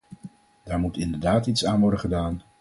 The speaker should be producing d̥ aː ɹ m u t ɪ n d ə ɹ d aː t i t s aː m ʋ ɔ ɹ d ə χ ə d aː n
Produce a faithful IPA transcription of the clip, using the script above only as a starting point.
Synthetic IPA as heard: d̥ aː ɹ m u t ɪ n d ə ɹ d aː t i t s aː n ʋ ɔ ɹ d ə χ ə d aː n